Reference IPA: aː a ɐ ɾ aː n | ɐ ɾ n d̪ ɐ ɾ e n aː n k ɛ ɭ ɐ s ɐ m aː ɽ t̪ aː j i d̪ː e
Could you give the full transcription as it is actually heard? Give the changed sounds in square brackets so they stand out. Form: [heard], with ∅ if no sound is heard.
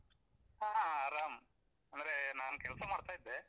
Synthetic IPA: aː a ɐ ɾ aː [m] | ɐ [∅] n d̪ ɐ ɾ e n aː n k ɛ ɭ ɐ s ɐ m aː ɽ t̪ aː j i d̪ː e